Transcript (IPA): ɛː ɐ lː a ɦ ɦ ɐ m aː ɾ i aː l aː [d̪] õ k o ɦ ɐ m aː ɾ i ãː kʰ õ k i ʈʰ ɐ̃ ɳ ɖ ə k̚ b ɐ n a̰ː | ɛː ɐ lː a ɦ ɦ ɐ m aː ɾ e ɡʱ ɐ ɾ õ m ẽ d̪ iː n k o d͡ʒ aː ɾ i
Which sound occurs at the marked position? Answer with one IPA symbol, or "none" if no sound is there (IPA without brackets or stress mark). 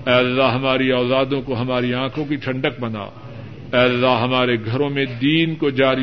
d̪